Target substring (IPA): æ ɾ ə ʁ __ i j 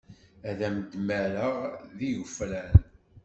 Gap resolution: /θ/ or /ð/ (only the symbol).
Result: ð